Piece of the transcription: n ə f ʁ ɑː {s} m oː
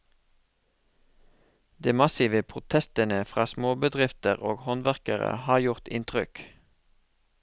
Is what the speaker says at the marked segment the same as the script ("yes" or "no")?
yes